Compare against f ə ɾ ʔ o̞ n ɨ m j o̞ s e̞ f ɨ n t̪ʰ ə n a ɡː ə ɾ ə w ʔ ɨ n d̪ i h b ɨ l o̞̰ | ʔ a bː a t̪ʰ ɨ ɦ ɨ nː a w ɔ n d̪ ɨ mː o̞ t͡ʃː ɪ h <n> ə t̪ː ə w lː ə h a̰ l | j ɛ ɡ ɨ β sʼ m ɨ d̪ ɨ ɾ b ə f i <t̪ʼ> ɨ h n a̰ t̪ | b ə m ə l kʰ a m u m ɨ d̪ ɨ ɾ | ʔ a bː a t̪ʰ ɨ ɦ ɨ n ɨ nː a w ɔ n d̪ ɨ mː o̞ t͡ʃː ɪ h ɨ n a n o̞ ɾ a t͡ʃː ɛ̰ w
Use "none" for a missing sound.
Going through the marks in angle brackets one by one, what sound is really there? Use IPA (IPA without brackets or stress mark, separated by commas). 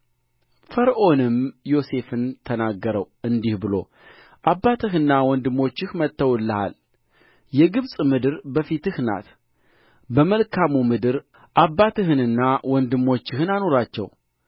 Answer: m, t̪